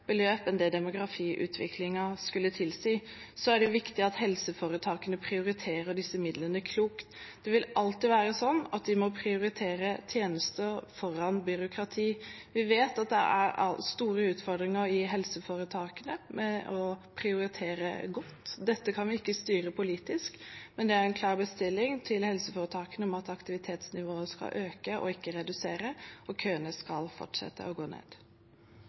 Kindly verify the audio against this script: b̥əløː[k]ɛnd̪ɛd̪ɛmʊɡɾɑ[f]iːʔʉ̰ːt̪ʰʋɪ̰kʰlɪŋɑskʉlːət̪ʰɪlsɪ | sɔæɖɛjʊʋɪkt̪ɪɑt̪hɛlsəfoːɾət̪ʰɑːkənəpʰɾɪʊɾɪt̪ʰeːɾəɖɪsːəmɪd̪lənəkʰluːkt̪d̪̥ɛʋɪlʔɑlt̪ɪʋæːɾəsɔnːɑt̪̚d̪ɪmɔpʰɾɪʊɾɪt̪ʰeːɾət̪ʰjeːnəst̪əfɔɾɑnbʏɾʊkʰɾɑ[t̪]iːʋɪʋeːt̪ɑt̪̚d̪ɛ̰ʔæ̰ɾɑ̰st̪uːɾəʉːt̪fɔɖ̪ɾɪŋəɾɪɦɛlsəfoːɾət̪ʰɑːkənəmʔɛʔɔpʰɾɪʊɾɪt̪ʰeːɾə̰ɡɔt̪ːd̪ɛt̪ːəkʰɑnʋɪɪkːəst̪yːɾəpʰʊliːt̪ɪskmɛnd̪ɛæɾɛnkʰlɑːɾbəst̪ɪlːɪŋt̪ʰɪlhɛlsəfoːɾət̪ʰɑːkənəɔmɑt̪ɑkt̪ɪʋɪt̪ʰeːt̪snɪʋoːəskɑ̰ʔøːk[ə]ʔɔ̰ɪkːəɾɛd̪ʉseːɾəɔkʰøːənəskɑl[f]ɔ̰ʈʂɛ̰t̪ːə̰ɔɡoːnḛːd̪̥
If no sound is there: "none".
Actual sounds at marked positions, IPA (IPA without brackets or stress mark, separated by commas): p, f, t̪ʰ, ə, f